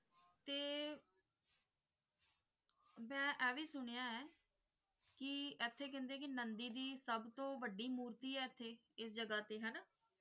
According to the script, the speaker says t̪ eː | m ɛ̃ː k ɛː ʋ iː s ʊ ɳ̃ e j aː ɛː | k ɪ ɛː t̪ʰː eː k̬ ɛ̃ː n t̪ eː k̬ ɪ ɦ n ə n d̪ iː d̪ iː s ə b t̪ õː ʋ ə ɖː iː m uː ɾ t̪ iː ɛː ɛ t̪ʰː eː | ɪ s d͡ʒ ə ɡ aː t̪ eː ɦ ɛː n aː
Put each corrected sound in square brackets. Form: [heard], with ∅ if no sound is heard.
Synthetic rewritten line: t̪ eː | m ɛ̃ː [ʔ] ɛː ʋ iː s ʊ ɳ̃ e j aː ɛː | k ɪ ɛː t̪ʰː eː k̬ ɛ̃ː n [d̪] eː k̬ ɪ [∅] n ə n d̪ iː d̪ iː s ə b t̪ õː ʋ ə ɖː iː m uː ɾ t̪ iː ɛː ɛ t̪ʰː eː | ɪ s d͡ʒ ə ɡ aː t̪ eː ɦ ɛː n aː

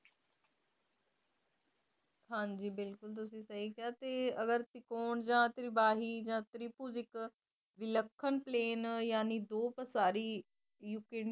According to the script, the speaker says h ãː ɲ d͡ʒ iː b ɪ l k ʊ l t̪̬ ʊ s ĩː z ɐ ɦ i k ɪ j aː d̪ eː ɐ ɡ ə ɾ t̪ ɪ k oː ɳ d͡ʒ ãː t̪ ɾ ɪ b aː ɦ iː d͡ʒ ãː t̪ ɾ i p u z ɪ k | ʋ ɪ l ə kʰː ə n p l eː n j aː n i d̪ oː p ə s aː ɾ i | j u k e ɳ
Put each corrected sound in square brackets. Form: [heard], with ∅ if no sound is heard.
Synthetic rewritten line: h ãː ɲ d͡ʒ iː b ɪ l k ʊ l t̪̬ ʊ s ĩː [s] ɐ ɦ i k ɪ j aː [t̪] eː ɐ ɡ ə ɾ t̪ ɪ k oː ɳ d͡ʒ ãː t̪ ɾ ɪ b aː ɦ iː d͡ʒ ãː t̪ ɾ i p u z ɪ k | ʋ ɪ l ə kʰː ə n p l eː n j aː n i d̪ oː p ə s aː ɾ i | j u k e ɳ

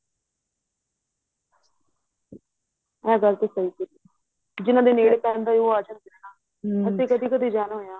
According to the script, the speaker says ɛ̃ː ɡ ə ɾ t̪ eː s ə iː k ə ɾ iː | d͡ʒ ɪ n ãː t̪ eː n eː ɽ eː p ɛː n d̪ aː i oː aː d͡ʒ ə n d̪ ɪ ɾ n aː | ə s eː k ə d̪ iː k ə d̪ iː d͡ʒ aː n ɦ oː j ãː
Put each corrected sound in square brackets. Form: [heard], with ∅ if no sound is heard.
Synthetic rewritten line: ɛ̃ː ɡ ə ɾ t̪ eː s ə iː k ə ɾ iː | d͡ʒ ɪ n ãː [d̪] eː n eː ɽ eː p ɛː n d̪ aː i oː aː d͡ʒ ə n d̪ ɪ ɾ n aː | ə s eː k ə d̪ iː k ə d̪ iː d͡ʒ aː n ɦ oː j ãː

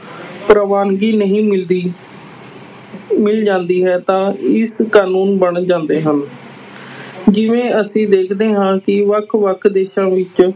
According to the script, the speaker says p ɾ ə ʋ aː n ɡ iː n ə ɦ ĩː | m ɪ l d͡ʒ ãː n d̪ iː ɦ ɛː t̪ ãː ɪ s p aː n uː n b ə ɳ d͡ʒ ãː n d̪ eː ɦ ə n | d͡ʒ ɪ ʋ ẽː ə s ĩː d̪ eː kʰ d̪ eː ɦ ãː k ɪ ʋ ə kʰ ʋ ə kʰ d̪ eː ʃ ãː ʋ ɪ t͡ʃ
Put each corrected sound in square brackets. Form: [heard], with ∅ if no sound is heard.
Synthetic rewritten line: p ɾ ə ʋ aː n ɡ iː n ə ɦ ĩː | m ɪ l d͡ʒ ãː n d̪ iː ɦ ɛː t̪ ãː ɪ s [k] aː n uː n b ə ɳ d͡ʒ ãː n d̪ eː ɦ ə n | d͡ʒ ɪ ʋ ẽː ə s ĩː d̪ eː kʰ d̪ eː ɦ ãː k ɪ ʋ ə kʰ ʋ ə kʰ d̪ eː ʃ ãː ʋ ɪ t͡ʃ

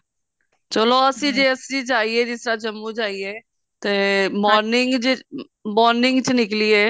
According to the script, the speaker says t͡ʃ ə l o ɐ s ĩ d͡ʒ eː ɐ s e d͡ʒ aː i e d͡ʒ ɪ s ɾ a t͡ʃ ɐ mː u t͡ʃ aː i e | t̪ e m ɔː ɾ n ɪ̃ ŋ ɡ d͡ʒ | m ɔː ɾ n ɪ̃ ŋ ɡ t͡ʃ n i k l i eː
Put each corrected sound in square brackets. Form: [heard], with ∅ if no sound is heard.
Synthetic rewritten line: t͡ʃ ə l o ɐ s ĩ d͡ʒ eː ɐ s [i] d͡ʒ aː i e d͡ʒ ɪ s ɾ a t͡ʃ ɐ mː u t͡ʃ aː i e | t̪ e m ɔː ɾ n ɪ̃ ŋ ɡ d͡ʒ | m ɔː ɾ n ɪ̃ ŋ ɡ t͡ʃ n [ɪ] k l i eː

